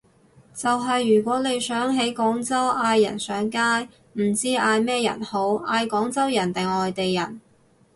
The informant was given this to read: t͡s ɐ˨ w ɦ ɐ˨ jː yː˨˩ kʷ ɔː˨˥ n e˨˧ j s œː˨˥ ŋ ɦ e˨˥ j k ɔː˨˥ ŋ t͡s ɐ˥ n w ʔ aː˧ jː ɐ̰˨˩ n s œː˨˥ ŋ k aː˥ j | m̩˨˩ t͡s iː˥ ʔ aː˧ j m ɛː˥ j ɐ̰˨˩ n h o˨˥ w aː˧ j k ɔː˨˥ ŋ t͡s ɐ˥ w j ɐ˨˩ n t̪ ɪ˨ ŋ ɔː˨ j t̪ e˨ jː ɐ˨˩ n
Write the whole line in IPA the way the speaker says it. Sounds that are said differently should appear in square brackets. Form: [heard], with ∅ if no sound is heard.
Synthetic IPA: t͡s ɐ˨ w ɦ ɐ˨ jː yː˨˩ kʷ ɔː˨˥ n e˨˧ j s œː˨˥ ŋ ɦ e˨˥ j k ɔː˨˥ ŋ t͡s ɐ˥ [∅] w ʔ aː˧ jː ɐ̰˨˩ n s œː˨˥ ŋ k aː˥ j | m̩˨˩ t͡s iː˥ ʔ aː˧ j m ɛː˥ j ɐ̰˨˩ n h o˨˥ w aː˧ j k ɔː˨˥ ŋ t͡s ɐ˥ w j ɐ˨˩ n t̪ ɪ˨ ŋ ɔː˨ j t̪ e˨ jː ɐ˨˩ n

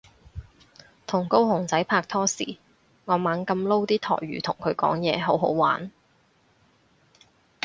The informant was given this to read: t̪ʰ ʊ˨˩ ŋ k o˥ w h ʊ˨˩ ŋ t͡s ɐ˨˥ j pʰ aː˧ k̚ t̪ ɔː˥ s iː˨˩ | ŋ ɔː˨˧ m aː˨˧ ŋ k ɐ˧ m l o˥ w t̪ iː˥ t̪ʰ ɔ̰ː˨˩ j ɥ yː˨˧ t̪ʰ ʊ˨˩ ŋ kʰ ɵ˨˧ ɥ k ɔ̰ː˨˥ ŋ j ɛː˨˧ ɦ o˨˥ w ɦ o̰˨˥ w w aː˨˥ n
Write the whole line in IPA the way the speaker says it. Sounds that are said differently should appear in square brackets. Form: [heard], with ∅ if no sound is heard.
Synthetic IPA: t̪ʰ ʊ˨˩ ŋ k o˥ w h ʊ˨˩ ŋ t͡s ɐ˨˥ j pʰ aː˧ k̚ [t̪ʰ] ɔː˥ s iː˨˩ | ŋ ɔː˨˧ m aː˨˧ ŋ k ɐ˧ m l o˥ w t̪ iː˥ t̪ʰ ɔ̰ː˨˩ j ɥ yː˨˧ t̪ʰ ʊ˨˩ ŋ kʰ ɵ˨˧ ɥ k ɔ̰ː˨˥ ŋ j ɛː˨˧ ɦ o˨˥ w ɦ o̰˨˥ w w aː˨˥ n

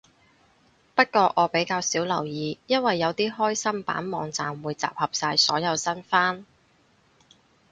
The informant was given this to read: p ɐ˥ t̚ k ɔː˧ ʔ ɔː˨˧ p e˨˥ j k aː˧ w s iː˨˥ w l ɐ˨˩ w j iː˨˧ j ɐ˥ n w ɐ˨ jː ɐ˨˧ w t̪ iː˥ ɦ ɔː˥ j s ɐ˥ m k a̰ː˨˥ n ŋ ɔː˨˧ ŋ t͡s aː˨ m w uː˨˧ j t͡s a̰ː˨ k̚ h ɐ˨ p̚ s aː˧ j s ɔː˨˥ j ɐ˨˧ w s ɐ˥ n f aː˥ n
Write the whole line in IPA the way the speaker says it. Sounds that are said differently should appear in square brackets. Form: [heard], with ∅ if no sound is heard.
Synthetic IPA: p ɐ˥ t̚ k ɔː˧ ʔ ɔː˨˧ p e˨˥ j k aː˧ w s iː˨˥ w l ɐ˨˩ w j iː˨˧ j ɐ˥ n w ɐ˨ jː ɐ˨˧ w t̪ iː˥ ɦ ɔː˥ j s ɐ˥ m [p] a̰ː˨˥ n [m] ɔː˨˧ ŋ t͡s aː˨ m w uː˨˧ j t͡s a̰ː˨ [p̚] h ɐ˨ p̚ s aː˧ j s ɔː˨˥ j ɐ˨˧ w s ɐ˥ n f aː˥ n

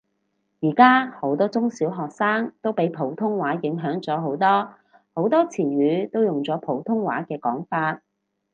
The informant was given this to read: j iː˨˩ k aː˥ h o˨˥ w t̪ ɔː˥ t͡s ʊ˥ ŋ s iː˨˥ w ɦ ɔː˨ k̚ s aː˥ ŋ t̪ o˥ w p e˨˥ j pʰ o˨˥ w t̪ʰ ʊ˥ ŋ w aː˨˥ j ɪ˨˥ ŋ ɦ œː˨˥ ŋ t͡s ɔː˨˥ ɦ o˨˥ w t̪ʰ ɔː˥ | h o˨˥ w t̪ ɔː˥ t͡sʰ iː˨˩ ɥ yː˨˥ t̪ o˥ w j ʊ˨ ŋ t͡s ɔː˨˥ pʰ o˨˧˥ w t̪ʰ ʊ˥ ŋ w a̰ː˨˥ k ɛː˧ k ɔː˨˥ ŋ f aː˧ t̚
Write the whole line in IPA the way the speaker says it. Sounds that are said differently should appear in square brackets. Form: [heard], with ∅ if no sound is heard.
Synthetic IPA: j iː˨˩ k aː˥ h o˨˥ w t̪ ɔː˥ t͡s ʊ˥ ŋ s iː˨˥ w ɦ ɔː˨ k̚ s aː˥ ŋ t̪ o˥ w p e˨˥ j pʰ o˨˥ w t̪ʰ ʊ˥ ŋ w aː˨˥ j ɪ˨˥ ŋ ɦ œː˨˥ ŋ t͡s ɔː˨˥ ɦ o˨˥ w [t̪] ɔː˥ | h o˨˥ w t̪ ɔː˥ t͡sʰ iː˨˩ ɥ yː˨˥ t̪ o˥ w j ʊ˨ ŋ t͡s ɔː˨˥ pʰ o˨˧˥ w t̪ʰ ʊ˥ ŋ w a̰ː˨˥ k ɛː˧ k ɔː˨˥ ŋ f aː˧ t̚

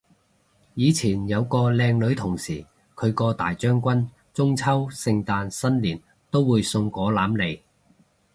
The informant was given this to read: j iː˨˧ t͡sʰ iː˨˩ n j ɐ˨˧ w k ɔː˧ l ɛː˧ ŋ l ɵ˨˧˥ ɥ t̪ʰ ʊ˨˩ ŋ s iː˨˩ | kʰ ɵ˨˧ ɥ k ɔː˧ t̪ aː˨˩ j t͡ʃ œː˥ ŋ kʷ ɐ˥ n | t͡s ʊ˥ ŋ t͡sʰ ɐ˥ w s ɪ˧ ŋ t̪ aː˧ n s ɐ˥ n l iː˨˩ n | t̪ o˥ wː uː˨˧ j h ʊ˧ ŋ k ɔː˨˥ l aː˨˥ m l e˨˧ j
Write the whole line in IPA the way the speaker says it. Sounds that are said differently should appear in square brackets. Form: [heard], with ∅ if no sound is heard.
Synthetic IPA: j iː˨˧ t͡sʰ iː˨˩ n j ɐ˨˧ w k ɔː˧ l ɛː˧ ŋ l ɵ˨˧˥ ɥ t̪ʰ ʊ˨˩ ŋ s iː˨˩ | kʰ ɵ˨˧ ɥ k ɔː˧ t̪ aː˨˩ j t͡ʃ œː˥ ŋ kʷ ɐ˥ n | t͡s ʊ˥ ŋ t͡sʰ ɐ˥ w s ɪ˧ ŋ t̪ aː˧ n s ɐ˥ n l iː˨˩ n | t̪ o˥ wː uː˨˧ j [s] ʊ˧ ŋ k ɔː˨˥ l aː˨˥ m l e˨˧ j

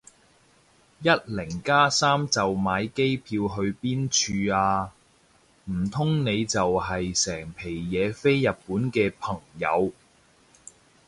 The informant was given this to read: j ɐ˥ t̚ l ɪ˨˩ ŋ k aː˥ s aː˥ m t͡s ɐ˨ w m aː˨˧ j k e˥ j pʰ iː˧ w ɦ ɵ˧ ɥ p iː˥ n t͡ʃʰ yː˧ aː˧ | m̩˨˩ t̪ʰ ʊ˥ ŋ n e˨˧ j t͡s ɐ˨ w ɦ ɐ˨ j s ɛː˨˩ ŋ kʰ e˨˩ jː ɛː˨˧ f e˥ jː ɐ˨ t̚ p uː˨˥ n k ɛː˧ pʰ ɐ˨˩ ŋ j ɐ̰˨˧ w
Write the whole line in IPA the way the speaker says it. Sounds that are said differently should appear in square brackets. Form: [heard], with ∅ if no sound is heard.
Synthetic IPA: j ɐ˥ t̚ l ɪ˨˩ ŋ k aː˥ s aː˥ m t͡s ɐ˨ w m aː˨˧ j k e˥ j pʰ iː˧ w ɦ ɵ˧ ɥ p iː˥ n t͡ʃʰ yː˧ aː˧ | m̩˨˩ t̪ʰ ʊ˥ ŋ n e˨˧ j t͡s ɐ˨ w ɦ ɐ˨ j s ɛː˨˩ ŋ [pʰ] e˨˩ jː ɛː˨˧ f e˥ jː ɐ˨ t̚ p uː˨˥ n k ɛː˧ pʰ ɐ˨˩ ŋ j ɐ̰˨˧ w

